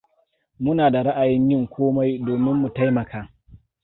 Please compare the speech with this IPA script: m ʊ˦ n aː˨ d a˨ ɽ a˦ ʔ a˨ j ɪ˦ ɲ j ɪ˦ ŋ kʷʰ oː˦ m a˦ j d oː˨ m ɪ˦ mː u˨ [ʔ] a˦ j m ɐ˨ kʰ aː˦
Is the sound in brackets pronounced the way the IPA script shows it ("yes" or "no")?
no